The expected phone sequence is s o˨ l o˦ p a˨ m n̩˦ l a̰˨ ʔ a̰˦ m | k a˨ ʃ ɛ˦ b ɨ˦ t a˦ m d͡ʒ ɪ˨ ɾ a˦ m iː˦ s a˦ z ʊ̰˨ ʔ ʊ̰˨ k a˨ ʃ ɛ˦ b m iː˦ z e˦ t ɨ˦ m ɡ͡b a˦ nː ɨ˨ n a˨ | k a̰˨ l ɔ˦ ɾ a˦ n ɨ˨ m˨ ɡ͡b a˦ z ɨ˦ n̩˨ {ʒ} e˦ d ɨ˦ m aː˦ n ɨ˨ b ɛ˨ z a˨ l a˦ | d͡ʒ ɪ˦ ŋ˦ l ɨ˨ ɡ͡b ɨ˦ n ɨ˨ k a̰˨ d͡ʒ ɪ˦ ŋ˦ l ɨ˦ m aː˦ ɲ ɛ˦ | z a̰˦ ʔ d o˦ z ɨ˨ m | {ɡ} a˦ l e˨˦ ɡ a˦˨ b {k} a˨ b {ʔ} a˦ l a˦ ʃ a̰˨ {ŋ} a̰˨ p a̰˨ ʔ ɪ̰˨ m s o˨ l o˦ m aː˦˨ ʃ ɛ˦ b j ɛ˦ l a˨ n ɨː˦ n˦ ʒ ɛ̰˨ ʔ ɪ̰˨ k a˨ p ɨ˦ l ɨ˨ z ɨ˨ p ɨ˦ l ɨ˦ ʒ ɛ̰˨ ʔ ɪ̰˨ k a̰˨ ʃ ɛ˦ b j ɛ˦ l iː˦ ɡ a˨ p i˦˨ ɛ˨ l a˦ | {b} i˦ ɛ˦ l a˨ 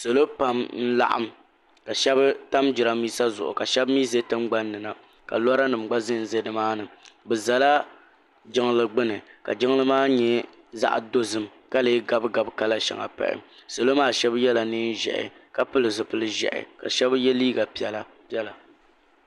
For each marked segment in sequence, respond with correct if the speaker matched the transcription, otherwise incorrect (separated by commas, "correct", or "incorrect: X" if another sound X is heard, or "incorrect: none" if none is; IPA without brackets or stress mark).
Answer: incorrect: z, incorrect: k, incorrect: ɡ, incorrect: k, correct, incorrect: p